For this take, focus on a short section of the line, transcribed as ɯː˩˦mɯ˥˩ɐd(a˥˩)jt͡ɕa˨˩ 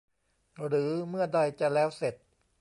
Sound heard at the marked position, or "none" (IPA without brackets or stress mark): a˧